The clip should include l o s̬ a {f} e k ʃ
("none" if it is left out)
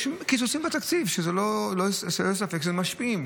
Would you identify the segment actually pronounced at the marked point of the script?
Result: f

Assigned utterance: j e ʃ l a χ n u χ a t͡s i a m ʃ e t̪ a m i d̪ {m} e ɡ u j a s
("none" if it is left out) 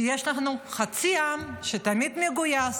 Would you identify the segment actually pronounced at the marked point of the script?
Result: m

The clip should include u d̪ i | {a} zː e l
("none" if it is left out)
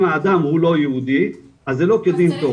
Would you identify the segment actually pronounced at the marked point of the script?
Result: a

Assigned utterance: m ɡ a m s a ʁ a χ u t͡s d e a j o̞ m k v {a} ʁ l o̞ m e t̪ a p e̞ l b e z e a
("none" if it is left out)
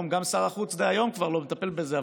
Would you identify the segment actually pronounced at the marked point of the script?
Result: a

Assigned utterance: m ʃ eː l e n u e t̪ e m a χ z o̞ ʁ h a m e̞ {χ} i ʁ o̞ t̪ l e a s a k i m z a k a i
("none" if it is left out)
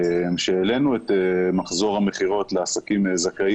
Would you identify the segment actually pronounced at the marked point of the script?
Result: χ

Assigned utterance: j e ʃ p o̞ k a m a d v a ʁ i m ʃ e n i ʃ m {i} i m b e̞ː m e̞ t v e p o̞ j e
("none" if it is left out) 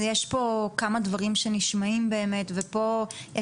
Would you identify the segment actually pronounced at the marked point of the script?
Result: a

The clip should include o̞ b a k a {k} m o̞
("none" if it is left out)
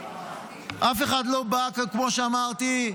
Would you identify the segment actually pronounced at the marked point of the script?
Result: k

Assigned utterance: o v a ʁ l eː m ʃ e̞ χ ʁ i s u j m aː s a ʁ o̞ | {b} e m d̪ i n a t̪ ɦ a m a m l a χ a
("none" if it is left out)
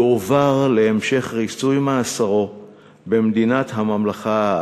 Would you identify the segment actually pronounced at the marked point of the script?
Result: b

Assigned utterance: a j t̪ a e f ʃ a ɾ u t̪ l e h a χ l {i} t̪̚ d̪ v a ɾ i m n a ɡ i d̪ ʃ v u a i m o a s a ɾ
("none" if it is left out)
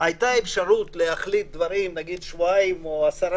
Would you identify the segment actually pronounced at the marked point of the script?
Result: i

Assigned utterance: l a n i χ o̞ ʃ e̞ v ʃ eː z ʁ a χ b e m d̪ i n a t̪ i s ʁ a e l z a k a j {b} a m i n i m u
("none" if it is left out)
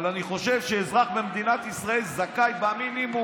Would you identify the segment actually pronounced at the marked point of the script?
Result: b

